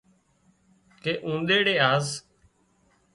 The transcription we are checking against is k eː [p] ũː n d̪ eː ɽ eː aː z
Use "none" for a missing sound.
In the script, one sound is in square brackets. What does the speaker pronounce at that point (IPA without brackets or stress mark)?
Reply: ʔ